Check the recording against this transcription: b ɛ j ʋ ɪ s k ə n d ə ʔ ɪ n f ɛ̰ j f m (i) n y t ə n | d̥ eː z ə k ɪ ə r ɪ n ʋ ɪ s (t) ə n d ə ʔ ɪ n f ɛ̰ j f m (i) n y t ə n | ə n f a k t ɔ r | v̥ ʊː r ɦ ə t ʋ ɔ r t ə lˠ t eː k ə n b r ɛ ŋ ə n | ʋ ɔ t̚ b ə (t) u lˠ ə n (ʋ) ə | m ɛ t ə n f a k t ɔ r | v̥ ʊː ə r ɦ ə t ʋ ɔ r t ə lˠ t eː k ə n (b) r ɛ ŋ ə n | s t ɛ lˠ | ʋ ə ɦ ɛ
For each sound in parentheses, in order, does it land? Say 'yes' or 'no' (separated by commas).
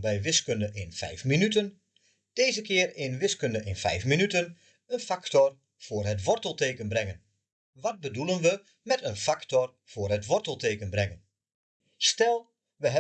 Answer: yes, no, yes, no, yes, yes